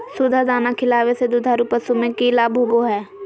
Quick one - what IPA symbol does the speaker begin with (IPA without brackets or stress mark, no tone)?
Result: s